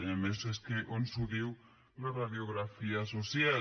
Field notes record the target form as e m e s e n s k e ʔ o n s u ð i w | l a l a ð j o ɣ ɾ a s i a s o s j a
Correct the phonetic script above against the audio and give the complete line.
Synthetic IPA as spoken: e m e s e s k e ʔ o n s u ð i w | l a r a ð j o ɣ ɾ a f i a s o s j a